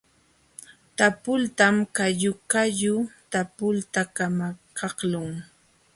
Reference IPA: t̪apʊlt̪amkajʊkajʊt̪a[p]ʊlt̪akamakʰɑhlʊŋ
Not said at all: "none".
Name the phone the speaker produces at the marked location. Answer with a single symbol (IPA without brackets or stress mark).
p